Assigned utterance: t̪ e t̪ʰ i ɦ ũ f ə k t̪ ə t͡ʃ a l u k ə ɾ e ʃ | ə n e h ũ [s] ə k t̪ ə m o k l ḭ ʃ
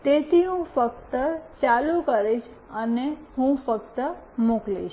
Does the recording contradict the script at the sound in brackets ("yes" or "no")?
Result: yes